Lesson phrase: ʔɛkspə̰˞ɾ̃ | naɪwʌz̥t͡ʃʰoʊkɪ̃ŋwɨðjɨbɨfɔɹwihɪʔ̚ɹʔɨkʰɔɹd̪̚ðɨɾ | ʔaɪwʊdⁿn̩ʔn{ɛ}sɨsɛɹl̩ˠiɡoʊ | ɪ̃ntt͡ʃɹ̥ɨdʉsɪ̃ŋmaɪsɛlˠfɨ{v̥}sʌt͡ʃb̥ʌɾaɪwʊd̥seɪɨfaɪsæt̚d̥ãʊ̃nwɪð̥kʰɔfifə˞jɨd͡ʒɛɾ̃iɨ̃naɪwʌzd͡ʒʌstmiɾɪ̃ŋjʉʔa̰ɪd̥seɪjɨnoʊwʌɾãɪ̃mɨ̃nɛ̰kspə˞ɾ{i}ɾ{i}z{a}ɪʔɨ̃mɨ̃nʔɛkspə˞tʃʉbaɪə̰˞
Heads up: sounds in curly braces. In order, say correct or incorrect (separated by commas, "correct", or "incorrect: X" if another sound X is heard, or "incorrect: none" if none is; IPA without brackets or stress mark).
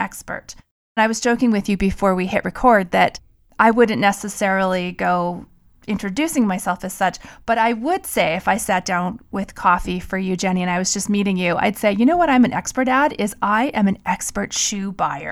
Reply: correct, incorrect: z̥, incorrect: æ, incorrect: ɪ, correct